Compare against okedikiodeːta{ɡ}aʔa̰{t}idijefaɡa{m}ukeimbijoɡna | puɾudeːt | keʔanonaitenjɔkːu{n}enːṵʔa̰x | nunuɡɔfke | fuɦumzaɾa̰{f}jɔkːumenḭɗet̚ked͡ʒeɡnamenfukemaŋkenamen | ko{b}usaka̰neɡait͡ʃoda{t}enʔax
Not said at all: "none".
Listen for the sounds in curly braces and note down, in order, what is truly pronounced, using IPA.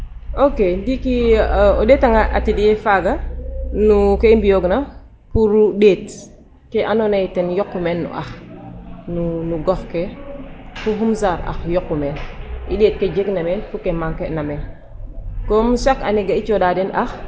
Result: ŋ, t, n, m, x, m, d

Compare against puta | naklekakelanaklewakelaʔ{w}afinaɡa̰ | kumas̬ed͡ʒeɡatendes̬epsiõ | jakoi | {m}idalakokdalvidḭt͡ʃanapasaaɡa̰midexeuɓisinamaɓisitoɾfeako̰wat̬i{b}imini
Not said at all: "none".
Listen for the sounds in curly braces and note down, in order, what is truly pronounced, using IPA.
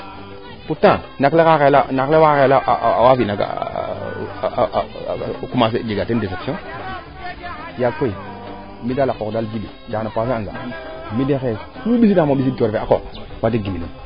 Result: w, m, ɡ

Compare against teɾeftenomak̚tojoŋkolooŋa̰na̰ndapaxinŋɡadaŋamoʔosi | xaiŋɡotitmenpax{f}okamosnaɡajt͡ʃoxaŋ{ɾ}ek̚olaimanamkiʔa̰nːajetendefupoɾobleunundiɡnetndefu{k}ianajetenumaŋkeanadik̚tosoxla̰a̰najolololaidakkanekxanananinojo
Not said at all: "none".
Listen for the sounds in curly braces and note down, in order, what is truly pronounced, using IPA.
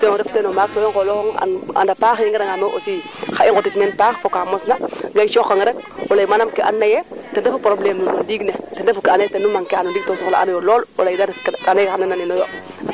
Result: f, ɾ, k

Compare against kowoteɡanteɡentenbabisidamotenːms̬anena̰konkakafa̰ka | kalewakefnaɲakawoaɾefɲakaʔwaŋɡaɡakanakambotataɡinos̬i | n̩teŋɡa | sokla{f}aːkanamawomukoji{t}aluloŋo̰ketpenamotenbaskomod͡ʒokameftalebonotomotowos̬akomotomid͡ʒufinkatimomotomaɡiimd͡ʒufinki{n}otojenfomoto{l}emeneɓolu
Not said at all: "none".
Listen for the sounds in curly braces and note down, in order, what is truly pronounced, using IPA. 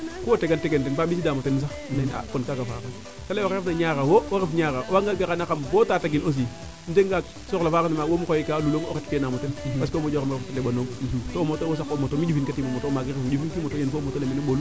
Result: f, k, m, l

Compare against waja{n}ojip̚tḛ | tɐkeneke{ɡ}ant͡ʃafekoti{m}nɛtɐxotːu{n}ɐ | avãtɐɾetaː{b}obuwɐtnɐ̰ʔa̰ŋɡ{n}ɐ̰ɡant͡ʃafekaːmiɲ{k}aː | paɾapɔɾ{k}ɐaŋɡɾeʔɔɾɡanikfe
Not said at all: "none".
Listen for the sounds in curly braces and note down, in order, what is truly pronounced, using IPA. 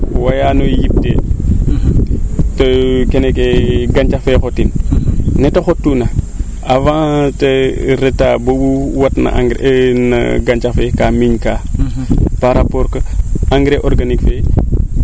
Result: n, ɡ, n, n, b, n, k, k

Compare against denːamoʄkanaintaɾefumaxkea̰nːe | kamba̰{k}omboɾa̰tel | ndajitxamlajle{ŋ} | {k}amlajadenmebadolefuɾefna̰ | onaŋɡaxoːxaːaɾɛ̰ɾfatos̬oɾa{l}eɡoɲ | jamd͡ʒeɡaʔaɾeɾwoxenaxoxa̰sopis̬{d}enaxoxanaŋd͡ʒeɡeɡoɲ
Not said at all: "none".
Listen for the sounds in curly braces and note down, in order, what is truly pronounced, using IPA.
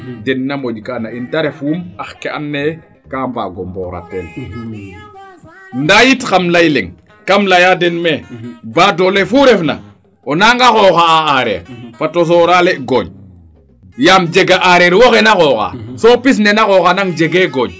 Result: ɡ, ŋ, k, l, n

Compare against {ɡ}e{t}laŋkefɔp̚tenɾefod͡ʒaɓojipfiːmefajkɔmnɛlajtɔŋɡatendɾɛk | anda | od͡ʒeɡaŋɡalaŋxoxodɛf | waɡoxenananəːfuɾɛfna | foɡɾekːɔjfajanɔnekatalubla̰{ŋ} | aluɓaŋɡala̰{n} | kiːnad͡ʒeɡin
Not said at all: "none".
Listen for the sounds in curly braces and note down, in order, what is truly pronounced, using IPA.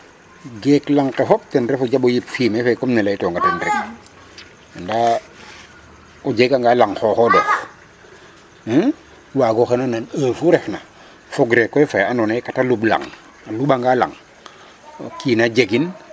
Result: ɡ, k, ŋ, ŋ

